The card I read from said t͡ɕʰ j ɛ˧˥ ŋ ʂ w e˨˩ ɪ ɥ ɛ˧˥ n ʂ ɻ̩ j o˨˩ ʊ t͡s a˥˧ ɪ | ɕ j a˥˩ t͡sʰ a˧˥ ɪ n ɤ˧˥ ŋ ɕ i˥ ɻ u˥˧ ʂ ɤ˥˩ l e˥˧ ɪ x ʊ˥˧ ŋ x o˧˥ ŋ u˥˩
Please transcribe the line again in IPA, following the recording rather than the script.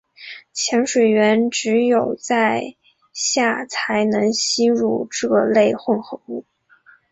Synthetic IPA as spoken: t͡ɕʰ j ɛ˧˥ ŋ ʂ w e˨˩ ɪ ɥ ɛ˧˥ n ʈ͡ʂ ɻ̩ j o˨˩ ʊ t͡s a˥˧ ɪ | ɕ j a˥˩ t͡sʰ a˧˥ ɪ n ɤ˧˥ ŋ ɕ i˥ ɻ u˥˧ ʈ͡ʂ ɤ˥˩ l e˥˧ ɪ x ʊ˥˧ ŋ x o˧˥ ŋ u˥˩